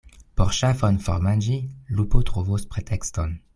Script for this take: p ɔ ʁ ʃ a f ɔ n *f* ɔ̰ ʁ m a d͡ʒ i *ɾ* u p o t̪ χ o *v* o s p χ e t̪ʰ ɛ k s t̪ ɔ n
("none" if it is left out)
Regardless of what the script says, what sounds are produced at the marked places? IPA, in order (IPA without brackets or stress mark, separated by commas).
f, l, v